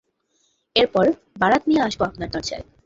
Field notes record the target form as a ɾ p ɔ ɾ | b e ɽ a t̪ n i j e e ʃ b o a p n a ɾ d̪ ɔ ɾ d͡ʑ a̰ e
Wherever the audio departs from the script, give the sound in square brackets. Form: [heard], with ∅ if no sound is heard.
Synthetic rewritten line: [e] ɾ p ɔ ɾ | b [a] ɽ a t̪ n i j e [a] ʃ b o a p n a ɾ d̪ ɔ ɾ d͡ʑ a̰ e